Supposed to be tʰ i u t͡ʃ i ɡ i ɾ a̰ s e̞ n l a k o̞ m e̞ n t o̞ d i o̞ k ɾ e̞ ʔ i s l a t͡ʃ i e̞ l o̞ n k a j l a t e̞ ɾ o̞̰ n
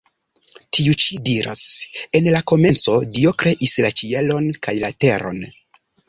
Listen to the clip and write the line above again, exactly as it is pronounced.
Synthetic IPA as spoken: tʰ i u t͡ʃ i d i ɾ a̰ s e̞ n l a k o̞ m e̞ n t͡s o̞ d i o̞ k ɾ e̞ ʔ i s l a t͡ʃ i e̞ l o̞ n k a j l a t e̞ ɾ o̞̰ n